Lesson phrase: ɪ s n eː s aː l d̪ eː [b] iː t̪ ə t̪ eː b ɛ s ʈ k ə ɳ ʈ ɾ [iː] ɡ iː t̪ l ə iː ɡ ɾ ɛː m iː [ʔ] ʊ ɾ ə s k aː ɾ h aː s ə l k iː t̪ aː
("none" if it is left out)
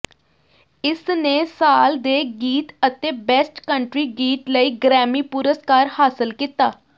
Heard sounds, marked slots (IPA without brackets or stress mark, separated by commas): ɡ, iː, p